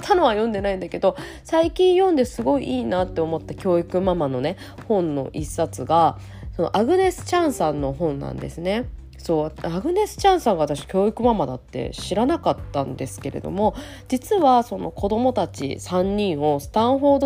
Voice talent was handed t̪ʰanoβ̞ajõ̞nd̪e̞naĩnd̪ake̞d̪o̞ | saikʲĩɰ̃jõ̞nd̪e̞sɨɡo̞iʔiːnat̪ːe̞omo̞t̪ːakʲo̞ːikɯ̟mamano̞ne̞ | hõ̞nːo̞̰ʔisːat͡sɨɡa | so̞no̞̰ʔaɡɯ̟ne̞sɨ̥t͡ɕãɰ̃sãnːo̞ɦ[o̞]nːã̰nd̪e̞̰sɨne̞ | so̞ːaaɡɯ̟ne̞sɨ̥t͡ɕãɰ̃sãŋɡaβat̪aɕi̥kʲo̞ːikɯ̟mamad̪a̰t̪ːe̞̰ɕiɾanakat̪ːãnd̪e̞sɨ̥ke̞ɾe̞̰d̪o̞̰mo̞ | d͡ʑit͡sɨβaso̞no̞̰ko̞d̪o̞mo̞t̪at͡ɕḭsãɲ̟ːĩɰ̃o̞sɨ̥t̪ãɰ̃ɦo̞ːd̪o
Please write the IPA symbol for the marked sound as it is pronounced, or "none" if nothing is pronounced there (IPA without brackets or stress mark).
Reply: õ̞